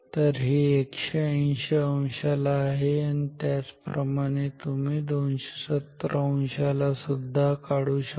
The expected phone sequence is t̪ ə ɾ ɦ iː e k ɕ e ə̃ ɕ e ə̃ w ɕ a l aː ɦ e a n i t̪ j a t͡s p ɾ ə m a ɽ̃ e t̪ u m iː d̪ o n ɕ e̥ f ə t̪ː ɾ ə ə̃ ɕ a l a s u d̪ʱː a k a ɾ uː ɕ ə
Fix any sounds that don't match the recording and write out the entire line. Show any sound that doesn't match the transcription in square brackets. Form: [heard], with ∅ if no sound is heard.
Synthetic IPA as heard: t̪ ə ɾ ɦ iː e k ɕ e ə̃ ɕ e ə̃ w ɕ a l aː ɦ e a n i t̪ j a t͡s p ɾ ə m a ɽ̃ e t̪ u m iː d̪ o n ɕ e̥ [s] ə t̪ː ɾ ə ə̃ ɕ a l a s u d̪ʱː a k a [ɽ] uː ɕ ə

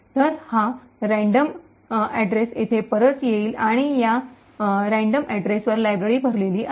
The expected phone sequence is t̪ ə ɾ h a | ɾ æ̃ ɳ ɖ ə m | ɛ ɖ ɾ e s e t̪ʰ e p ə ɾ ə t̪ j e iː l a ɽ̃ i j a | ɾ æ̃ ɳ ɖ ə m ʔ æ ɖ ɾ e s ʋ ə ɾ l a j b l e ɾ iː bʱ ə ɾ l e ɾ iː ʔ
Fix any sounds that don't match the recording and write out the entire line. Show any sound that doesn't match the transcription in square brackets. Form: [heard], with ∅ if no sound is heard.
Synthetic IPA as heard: t̪ ə ɾ h a | ɾ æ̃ ɳ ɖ ə m | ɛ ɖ ɾ e s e t̪ʰ e p ə ɾ ə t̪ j e iː l a ɽ̃ i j a | ɾ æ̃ ɳ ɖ ə m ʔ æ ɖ ɾ e s ʋ ə ɾ l a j b [ɾ] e ɾ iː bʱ ə ɾ l e [l] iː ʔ

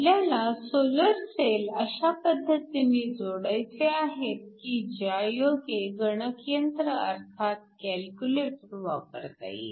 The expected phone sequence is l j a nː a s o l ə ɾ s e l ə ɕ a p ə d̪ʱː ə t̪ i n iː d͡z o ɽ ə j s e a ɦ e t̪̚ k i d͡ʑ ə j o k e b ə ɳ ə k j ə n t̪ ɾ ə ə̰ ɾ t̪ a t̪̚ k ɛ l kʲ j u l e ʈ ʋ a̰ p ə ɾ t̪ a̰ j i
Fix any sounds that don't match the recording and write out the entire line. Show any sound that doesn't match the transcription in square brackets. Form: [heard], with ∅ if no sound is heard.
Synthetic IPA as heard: l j a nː a s o l ə ɾ s e l ə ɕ a p ə d̪ʱː ə t̪ i n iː d͡z o ɽ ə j [t͡s] e a ɦ e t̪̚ k i d͡ʑ [a] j o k e [ɡ] ə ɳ ə k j ə n t̪ ɾ ə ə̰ ɾ [t̪ʰ] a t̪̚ k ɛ l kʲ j u l e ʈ ʋ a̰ p ə ɾ t̪ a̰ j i

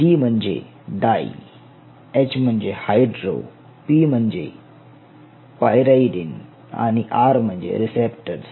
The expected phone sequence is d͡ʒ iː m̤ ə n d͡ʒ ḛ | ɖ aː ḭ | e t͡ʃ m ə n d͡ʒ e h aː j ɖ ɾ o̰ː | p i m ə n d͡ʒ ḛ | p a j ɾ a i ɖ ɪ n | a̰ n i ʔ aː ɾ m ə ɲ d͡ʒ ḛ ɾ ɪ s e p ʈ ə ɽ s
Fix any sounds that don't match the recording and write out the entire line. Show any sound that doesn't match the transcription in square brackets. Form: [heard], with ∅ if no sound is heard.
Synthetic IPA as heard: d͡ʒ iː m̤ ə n d͡ʒ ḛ | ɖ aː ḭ | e t͡ʃ m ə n d͡ʒ e h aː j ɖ ɾ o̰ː | p i m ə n d͡ʒ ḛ | p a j ɾ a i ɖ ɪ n | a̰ n i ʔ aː ɾ m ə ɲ d͡ʒ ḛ ɾ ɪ s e p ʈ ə [ɾ] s

